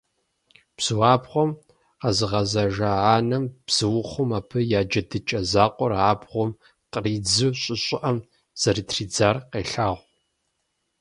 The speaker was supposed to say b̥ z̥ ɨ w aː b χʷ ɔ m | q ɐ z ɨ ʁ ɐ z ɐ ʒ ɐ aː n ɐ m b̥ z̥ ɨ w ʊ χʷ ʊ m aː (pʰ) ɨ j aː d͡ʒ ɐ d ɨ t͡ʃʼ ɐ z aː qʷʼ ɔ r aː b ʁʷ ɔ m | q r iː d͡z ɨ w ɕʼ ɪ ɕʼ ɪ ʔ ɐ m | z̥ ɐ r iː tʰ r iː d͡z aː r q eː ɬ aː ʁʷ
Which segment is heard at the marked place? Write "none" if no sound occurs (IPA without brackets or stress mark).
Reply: pʰ